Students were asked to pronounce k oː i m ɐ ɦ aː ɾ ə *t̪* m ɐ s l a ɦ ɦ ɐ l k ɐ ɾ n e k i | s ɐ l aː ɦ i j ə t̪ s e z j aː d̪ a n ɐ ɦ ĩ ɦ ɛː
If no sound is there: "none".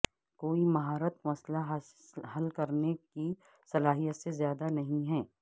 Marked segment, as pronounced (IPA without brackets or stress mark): t̪